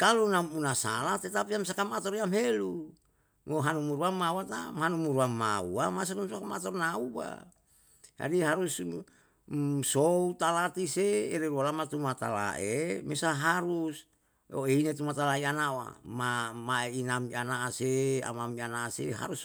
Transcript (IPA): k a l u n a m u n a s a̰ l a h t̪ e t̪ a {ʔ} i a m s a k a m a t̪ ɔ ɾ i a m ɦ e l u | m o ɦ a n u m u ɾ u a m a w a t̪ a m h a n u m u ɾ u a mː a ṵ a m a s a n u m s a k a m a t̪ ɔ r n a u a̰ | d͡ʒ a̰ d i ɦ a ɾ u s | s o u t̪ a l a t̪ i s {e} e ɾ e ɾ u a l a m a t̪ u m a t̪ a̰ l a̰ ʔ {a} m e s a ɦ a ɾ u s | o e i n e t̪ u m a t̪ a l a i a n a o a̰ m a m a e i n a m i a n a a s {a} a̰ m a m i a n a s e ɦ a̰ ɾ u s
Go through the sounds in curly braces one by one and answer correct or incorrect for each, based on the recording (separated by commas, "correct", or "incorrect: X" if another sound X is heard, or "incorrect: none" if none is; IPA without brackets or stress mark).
incorrect: p, correct, incorrect: e, incorrect: e